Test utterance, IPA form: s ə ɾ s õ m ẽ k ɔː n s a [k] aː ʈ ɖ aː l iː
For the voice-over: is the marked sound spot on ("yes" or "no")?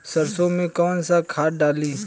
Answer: no